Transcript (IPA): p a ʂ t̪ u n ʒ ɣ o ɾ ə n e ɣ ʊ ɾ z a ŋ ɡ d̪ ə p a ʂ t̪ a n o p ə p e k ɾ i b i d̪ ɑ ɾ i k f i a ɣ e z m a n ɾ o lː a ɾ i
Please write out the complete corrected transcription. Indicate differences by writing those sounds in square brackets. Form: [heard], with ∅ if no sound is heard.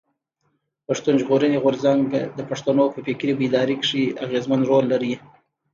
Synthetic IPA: p a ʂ t̪ u n ʒ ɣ o ɾ ə n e ɣ ʊ ɾ z a ŋ ɡ d̪ ə p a ʂ t̪ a n o p ə p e k ɾ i b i d̪ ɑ ɾ i k [ʂ] i a ɣ e z m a n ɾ o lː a ɾ i